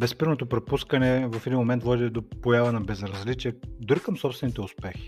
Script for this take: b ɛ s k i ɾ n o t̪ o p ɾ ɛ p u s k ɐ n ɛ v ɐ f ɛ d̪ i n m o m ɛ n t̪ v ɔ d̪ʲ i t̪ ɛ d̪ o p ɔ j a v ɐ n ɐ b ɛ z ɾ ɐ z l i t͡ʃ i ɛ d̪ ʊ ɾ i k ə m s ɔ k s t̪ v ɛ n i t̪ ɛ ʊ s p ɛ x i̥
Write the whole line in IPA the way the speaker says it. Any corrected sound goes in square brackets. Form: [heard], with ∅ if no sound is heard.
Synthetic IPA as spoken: b ɛ s [p] i ɾ n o t̪ o p ɾ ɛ p u s k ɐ n ɛ v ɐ f ɛ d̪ i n m o m ɛ n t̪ v ɔ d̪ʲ i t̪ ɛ d̪ o p [o] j a v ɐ n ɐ b ɛ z ɾ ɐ z l i t͡ʃ i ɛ d̪ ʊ ɾ i k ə m s ɔ [p] s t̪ v ɛ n i t̪ ɛ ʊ s p ɛ x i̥